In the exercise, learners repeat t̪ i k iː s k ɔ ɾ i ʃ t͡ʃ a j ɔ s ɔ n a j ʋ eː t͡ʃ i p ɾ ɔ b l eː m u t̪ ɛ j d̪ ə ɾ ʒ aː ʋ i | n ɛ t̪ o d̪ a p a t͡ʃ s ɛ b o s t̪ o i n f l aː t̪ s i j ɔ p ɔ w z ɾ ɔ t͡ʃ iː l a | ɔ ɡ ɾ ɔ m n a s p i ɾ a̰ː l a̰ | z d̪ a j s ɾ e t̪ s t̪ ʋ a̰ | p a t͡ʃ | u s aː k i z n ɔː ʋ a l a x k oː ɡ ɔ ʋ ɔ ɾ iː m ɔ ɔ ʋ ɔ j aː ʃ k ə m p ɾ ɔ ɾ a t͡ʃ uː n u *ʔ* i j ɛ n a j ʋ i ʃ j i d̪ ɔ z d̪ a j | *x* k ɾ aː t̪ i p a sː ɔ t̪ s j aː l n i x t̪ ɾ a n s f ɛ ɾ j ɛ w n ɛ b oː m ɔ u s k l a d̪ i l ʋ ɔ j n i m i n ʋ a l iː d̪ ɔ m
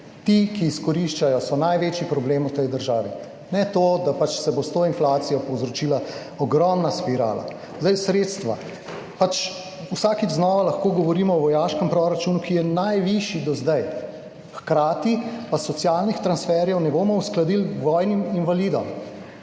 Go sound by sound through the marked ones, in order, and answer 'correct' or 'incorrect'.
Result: incorrect: k, correct

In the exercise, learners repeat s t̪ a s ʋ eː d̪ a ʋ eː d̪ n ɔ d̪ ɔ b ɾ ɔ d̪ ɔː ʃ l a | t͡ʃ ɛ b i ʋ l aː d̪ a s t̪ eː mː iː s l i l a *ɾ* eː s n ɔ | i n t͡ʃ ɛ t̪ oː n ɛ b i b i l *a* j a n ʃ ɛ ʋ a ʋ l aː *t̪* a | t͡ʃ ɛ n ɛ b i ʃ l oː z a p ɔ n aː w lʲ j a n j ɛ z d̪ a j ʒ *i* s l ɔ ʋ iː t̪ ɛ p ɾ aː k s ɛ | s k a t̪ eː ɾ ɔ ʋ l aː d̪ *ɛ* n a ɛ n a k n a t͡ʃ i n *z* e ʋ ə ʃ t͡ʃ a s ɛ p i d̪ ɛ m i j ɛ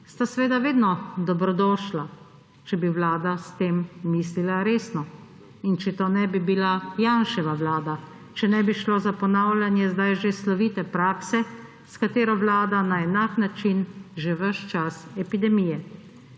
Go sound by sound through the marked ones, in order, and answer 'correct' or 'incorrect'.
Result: correct, correct, incorrect: d̪, incorrect: e, incorrect: a, incorrect: ʒ

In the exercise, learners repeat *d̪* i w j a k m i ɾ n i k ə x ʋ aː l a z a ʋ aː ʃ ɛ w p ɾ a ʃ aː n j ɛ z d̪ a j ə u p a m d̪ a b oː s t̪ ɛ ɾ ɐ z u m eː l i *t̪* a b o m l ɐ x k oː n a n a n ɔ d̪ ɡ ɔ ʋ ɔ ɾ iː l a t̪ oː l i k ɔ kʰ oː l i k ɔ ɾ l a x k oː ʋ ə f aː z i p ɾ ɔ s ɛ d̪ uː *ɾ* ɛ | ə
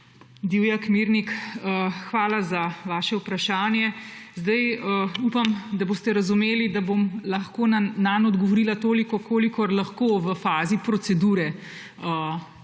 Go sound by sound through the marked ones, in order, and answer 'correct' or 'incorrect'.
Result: correct, incorrect: d̪, correct

